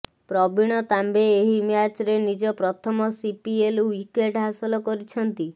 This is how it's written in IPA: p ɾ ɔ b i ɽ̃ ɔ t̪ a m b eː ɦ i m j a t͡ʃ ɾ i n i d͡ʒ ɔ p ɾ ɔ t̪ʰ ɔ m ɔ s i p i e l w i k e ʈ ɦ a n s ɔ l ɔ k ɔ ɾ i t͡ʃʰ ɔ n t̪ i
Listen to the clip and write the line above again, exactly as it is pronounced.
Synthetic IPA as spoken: p ɾ ɔ b i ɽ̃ ɔ t̪ a m b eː ɦ i m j a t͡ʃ ɾ e n i d͡ʒ ɔ p ɾ ɔ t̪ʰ ɔ m ɔ s i p i e l w i k e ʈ ɦ a s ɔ l ɔ k ɔ ɾ i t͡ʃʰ ɔ n t̪ i